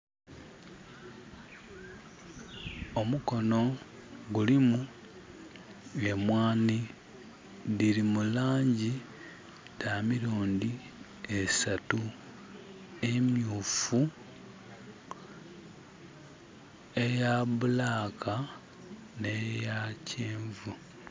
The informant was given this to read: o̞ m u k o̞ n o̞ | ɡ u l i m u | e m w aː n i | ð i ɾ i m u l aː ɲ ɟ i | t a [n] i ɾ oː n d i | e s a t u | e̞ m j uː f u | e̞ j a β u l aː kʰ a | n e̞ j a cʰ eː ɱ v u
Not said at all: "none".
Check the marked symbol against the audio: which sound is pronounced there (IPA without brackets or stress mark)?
m